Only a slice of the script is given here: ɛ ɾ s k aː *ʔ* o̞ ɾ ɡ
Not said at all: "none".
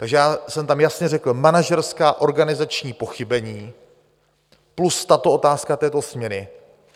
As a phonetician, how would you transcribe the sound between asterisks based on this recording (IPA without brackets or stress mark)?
ʔ